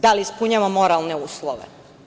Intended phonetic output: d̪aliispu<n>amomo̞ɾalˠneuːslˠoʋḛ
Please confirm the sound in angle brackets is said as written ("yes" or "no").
no